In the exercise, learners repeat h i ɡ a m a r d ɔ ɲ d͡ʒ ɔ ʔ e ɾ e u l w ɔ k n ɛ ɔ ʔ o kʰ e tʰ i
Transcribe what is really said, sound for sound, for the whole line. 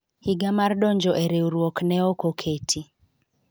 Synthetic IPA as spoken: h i ɡ a m a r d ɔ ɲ d͡ʒ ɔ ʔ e ɾ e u ɾ w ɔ k n ɛ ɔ k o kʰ e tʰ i